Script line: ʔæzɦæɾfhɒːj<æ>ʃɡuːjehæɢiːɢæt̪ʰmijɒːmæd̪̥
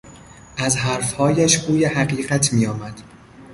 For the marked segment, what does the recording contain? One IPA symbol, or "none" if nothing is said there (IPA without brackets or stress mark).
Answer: æ